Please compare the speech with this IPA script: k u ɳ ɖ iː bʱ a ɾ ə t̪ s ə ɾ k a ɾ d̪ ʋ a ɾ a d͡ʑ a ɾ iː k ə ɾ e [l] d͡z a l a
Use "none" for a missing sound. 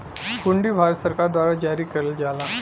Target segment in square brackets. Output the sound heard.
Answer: l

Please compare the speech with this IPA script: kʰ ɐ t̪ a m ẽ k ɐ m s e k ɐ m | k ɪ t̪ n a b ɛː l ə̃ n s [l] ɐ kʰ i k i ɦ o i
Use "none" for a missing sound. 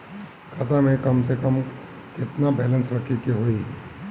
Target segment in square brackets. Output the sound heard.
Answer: ɾ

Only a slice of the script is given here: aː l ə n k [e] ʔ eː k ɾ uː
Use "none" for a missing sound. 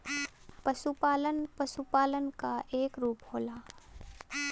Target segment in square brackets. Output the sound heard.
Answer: a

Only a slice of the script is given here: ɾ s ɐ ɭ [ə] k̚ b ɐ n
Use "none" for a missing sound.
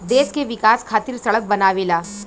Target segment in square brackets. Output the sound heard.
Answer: ə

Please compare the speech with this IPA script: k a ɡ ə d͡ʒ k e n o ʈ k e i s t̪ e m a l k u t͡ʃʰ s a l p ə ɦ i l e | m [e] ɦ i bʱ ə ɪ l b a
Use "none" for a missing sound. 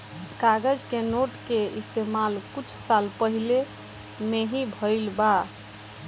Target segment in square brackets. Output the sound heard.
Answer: e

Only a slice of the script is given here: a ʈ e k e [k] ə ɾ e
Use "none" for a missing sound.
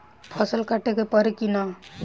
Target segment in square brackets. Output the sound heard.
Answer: p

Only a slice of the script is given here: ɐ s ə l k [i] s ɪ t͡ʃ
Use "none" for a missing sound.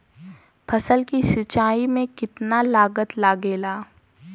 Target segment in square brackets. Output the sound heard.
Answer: i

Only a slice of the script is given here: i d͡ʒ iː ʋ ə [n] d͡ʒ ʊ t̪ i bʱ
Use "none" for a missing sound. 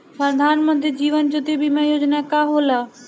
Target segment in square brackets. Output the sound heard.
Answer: n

